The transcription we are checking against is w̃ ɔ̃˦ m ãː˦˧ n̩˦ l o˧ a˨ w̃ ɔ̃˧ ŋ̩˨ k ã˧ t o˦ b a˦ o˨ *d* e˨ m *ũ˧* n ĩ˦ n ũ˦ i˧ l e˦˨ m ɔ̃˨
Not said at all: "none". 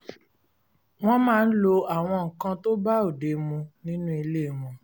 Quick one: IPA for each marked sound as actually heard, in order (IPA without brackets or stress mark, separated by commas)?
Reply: d, ũ˧